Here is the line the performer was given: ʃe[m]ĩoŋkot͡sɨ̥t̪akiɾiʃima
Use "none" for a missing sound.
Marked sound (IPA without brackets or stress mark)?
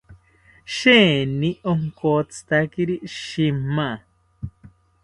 n